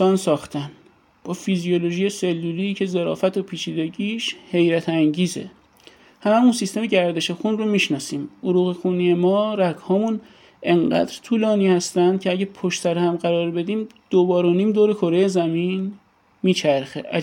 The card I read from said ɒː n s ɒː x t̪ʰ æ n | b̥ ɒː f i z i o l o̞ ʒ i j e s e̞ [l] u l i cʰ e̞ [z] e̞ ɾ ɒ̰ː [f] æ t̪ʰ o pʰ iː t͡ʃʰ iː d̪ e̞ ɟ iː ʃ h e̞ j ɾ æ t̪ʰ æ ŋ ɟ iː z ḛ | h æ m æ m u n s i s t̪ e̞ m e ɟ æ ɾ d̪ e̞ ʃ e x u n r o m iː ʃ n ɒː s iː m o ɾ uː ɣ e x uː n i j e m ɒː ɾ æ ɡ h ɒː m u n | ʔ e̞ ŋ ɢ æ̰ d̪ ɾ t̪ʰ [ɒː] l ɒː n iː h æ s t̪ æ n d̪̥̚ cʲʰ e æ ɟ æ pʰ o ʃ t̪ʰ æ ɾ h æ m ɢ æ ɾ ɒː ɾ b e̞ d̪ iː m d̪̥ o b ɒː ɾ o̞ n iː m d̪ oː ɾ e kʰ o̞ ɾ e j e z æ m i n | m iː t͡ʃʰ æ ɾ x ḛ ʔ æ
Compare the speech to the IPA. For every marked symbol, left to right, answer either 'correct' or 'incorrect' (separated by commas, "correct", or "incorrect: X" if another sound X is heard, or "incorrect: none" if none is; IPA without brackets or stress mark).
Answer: incorrect: lː, correct, correct, incorrect: uː